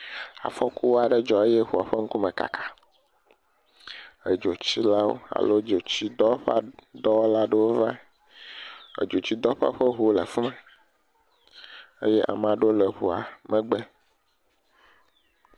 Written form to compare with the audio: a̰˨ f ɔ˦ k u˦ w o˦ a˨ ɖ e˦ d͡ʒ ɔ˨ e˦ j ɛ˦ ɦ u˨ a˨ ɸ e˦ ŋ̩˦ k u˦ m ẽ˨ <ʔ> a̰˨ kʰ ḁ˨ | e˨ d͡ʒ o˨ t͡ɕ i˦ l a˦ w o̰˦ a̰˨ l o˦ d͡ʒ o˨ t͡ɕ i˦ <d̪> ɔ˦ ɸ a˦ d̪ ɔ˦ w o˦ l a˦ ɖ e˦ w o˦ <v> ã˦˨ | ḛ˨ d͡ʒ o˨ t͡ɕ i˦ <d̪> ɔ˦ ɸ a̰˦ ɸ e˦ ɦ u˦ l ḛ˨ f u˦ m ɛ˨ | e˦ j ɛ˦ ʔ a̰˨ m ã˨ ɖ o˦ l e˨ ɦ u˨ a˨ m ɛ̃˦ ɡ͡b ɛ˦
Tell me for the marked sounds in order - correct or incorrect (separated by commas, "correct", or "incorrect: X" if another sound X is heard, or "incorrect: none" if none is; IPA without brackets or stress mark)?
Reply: incorrect: k, correct, correct, correct